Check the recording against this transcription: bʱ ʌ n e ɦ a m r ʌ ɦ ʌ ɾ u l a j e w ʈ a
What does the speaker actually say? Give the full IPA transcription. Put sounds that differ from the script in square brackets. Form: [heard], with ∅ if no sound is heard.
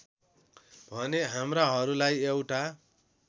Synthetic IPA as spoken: bʱ ʌ n e ɦ a m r [a] ɦ ʌ ɾ u l a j e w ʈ a